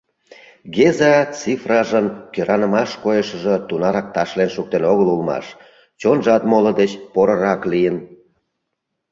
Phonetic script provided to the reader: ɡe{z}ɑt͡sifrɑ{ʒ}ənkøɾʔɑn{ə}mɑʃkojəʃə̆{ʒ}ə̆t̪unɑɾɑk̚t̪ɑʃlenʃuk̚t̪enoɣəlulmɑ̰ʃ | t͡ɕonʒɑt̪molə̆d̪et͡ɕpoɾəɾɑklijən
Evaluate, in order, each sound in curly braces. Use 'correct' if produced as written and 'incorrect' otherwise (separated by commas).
correct, correct, correct, correct